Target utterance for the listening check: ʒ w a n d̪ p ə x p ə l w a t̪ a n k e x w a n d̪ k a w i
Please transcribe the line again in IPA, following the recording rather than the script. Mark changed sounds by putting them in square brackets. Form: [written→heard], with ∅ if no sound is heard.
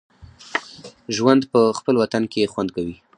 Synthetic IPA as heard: ʒ w a n d̪ p ə x p ə l w a t̪ a n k e x w a n d̪ k a w i